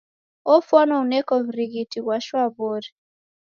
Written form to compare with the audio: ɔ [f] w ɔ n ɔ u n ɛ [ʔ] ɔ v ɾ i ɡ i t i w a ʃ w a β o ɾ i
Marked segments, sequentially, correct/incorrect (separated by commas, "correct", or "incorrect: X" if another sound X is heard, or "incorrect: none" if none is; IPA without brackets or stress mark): correct, incorrect: k